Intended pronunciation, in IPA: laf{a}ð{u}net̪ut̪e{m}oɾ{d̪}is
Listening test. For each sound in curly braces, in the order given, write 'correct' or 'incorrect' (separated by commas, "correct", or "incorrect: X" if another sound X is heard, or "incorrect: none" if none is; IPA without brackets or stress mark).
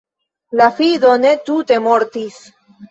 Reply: incorrect: i, incorrect: o, correct, incorrect: t̪